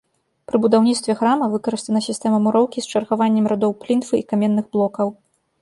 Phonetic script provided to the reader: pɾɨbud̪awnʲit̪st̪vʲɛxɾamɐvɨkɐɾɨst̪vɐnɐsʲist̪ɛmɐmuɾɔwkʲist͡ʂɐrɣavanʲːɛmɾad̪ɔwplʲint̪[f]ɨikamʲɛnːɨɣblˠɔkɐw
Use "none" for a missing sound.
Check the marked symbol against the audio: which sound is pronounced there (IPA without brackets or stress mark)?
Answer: f